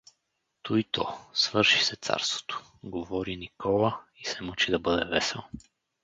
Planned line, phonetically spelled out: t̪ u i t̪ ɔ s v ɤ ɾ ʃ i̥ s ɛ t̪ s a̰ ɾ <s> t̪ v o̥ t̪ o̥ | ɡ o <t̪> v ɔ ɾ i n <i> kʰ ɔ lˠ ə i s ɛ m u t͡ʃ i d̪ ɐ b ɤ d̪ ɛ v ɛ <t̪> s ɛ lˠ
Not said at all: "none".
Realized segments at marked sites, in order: s, none, i, none

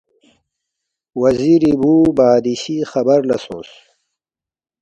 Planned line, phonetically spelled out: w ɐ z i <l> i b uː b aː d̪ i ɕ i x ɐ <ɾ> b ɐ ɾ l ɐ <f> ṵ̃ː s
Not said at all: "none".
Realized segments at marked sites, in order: ɾ, none, s

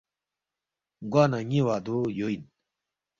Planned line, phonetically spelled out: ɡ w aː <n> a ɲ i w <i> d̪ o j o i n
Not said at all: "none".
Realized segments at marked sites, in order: n, a

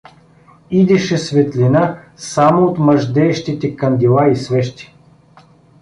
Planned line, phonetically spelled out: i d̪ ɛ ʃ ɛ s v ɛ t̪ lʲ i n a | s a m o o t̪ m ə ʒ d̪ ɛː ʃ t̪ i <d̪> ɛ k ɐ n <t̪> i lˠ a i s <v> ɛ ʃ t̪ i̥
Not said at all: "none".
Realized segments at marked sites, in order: t̪, d̪, v

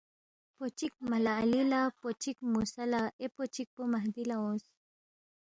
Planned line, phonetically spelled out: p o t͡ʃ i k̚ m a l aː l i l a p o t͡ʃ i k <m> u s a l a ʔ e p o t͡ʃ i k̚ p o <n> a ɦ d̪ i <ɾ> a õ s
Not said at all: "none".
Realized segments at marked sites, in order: m, m, l

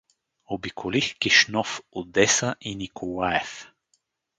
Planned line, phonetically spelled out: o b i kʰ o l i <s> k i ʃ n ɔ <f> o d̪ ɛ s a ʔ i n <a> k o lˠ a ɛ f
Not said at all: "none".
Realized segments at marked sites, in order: x, f, i

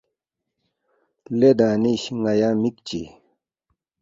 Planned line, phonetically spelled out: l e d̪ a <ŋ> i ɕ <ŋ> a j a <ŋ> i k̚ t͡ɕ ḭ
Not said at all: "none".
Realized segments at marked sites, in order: n, ŋ, m

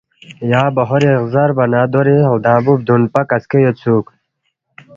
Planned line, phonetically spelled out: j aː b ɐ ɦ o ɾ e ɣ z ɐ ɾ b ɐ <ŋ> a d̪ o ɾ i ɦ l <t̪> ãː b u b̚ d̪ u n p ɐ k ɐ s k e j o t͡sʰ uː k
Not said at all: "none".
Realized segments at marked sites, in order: n, d̪

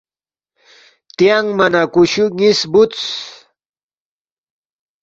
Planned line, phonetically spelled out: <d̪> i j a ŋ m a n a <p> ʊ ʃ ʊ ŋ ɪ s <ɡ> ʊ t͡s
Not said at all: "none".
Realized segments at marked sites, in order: t̪, k, b

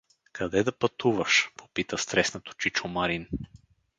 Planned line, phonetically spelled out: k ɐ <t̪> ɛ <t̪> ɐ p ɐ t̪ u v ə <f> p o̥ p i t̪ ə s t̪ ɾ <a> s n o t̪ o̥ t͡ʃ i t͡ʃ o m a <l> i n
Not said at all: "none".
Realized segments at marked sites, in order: d̪, d̪, ʃ, ɛ, ɾ

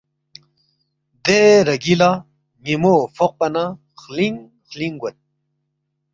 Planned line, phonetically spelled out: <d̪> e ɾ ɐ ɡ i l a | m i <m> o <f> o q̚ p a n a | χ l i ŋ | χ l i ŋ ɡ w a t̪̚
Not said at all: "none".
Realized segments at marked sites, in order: d̪, m, f

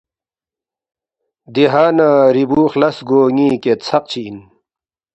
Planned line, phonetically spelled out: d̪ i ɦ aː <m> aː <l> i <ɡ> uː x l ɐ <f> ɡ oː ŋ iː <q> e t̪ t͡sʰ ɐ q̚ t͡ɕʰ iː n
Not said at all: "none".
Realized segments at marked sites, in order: n, ɾ, b, s, k

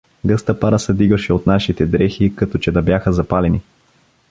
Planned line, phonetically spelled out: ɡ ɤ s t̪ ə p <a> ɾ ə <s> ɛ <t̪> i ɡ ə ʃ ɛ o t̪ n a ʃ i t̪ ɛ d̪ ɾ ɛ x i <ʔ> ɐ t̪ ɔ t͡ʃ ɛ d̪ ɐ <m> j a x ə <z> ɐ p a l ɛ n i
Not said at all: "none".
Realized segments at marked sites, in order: a, s, d̪, k, b, z

